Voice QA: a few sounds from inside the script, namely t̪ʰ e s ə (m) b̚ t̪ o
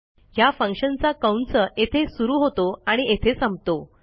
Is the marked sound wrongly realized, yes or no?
no